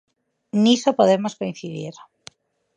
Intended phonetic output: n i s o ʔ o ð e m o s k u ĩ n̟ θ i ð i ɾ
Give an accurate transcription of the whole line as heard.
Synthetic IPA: n i s o p o ð e m o s k o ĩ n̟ θ i ð i ɾ

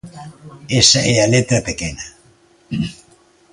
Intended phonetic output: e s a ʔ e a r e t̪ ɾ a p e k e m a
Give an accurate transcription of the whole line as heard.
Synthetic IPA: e s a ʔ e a l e t̪ ɾ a p e k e n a

